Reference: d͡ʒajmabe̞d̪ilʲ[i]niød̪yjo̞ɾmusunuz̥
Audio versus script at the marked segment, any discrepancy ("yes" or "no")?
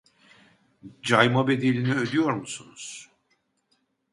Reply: no